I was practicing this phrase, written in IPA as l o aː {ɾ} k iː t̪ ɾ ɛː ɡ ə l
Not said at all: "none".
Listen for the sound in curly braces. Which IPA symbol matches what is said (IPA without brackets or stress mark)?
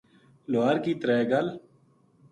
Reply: ɾ